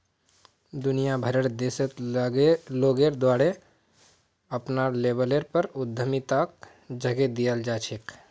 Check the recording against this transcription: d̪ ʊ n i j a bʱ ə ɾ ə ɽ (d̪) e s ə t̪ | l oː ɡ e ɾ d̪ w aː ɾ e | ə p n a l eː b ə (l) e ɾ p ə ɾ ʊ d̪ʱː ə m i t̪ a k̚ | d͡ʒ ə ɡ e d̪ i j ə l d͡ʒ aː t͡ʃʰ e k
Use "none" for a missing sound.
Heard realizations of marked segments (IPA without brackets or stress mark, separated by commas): d̪, l